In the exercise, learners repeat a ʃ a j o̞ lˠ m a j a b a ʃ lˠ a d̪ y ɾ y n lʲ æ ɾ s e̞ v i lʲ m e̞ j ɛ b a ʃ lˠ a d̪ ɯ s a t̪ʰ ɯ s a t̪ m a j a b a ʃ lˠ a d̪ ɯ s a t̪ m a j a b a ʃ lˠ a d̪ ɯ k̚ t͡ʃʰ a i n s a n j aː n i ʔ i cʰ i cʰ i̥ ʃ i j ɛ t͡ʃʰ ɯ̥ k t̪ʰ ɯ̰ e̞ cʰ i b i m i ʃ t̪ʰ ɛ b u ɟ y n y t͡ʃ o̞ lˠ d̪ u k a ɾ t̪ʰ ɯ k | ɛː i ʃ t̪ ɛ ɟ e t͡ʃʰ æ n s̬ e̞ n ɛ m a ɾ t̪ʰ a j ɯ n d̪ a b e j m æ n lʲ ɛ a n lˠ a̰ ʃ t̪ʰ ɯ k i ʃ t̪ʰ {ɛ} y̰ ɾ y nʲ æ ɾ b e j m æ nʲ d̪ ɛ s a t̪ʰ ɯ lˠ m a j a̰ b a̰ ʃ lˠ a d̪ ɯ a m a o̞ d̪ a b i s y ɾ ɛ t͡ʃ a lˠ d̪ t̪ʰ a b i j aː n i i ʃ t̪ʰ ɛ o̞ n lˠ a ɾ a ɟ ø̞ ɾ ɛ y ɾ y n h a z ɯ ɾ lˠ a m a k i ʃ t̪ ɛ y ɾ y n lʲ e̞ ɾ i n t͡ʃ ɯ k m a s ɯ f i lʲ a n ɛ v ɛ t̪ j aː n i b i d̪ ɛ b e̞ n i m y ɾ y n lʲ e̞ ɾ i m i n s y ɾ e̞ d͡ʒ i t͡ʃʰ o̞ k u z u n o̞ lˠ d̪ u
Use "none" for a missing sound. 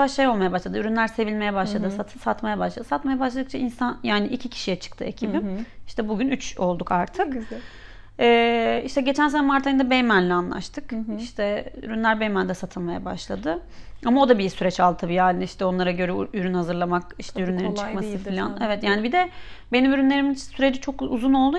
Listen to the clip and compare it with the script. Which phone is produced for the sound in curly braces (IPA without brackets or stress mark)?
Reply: ɛ